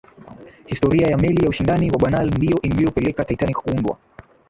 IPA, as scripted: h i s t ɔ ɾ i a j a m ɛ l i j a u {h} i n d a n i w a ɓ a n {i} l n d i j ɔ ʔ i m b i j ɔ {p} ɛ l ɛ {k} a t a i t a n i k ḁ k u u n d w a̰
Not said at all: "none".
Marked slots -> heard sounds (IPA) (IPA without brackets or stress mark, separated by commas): ʃ, a, p, k